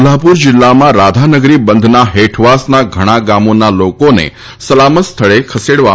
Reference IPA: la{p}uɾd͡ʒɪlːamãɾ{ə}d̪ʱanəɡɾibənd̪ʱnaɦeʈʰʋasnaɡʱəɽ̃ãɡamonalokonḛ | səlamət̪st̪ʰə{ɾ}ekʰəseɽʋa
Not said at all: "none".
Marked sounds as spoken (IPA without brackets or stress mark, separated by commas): p, a, ɭ